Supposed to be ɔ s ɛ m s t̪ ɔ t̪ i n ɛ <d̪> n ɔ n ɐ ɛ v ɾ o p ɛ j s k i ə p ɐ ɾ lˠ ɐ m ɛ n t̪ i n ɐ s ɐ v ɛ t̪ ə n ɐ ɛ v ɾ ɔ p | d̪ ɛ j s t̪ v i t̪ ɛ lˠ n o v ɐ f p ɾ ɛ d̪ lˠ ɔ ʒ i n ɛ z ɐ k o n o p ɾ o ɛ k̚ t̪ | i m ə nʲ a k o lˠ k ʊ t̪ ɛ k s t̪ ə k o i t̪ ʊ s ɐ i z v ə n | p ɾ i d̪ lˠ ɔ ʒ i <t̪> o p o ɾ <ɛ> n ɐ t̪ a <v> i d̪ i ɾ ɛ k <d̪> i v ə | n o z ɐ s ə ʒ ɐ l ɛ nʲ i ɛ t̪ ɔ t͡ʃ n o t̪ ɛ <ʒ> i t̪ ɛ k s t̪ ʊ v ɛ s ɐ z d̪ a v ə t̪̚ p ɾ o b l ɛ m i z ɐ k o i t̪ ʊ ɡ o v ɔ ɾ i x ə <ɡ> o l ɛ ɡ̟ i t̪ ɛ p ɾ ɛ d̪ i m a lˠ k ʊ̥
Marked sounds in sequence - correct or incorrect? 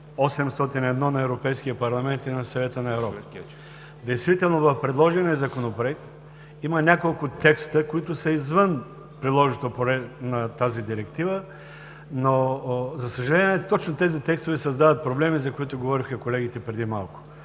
correct, correct, correct, incorrect, incorrect, incorrect, incorrect

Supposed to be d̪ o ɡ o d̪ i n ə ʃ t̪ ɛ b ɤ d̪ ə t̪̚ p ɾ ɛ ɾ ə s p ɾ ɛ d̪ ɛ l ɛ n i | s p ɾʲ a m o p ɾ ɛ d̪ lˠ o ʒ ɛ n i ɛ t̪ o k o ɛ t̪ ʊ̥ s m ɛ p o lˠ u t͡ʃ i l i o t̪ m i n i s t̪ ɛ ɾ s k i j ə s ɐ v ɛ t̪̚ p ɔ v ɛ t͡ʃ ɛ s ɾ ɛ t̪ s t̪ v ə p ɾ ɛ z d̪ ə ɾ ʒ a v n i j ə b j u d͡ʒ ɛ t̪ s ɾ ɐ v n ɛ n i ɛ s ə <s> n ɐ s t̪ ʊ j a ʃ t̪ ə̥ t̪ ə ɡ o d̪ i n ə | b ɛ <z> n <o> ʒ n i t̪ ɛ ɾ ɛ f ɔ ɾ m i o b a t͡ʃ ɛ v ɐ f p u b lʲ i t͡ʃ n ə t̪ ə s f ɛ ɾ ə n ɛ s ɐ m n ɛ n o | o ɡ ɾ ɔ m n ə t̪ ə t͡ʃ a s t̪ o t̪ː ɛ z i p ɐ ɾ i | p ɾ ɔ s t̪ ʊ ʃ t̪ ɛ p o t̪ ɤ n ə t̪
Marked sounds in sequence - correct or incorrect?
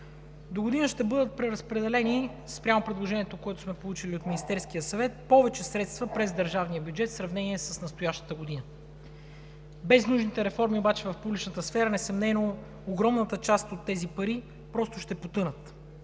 correct, correct, incorrect

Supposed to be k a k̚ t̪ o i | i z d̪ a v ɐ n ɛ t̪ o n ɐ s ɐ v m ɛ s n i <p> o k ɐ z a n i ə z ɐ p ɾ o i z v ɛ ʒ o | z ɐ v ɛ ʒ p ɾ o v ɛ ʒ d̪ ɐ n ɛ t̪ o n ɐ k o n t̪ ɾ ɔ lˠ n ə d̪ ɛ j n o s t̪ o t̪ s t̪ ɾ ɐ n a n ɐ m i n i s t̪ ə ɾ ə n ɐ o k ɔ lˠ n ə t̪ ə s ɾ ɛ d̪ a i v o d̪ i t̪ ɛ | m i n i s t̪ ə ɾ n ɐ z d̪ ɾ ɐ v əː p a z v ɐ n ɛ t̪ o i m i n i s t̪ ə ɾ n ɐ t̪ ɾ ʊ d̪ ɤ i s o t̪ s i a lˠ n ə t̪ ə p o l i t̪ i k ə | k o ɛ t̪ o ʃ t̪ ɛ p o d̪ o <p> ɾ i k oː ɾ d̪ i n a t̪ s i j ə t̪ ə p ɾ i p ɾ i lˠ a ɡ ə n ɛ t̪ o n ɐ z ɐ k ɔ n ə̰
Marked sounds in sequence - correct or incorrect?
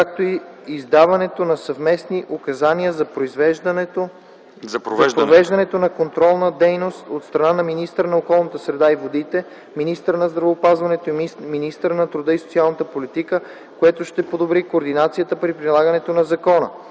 incorrect, incorrect

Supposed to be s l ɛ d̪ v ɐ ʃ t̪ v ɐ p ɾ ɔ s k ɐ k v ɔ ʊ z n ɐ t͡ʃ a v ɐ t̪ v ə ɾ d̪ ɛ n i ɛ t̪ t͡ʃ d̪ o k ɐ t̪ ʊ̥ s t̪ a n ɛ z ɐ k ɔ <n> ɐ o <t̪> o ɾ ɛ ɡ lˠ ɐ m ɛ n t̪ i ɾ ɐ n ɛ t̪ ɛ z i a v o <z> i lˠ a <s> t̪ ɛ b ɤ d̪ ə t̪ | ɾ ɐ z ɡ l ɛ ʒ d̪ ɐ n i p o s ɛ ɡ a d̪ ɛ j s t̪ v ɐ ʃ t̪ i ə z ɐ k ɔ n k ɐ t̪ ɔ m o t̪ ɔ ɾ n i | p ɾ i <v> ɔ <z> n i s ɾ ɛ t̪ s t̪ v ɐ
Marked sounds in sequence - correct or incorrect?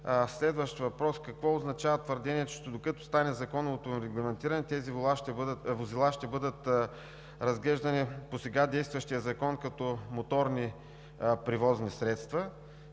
correct, correct, correct, incorrect, correct, correct

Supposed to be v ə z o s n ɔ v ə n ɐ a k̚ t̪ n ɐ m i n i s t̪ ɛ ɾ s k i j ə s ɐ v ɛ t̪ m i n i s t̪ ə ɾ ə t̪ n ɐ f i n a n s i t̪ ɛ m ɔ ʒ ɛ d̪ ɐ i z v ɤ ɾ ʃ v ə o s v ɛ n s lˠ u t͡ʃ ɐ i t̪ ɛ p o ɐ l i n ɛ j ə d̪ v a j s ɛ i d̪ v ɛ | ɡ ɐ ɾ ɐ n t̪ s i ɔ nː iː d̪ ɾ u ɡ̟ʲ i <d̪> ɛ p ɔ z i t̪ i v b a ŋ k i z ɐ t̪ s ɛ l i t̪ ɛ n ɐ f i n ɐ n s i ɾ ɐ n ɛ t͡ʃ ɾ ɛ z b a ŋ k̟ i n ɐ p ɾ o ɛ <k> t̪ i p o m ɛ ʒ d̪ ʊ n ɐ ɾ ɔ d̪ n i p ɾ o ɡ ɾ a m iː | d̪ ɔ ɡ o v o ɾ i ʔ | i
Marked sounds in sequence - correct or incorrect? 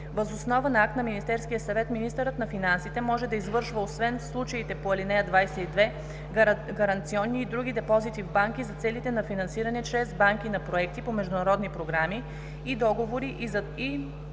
correct, correct

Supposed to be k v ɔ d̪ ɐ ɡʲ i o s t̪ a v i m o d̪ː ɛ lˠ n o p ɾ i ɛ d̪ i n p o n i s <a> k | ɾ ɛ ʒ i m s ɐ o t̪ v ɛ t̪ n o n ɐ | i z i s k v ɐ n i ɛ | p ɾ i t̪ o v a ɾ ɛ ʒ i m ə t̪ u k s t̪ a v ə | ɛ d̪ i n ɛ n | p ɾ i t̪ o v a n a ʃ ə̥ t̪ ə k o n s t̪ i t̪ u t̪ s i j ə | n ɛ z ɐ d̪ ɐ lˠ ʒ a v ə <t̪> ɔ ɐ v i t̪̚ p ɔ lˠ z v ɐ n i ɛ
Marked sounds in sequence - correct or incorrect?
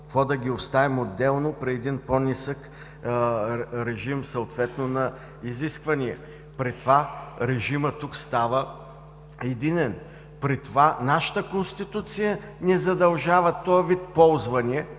incorrect, correct

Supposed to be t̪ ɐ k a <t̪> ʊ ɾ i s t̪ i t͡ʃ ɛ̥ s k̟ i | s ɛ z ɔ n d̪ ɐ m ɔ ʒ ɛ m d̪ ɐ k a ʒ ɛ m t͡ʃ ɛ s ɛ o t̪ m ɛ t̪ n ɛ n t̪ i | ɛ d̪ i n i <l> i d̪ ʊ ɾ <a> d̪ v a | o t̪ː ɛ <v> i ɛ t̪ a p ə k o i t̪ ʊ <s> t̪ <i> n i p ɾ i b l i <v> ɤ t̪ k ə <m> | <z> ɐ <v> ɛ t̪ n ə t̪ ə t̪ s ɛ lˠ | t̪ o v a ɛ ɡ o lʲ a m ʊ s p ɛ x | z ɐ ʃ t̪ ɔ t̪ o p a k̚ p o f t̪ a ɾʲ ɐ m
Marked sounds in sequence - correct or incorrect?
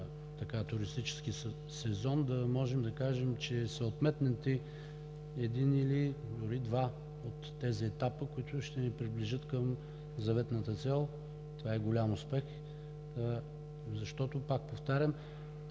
correct, correct, incorrect, incorrect, incorrect, incorrect, incorrect, correct, correct, correct

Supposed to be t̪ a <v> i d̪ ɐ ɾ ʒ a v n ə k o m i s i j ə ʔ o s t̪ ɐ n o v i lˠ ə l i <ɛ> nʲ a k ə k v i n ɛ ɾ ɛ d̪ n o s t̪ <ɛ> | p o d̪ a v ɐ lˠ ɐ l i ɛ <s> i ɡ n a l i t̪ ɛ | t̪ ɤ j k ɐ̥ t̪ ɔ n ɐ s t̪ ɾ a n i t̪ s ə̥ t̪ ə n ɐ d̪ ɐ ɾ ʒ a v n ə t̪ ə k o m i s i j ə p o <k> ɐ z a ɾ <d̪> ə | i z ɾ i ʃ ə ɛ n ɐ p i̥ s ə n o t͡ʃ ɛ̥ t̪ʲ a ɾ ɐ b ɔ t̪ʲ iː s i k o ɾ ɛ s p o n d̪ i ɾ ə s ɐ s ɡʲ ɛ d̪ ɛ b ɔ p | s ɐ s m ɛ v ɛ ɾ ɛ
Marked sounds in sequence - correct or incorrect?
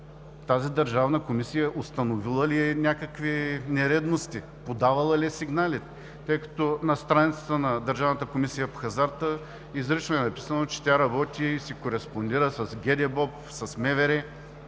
incorrect, correct, incorrect, correct, incorrect, incorrect

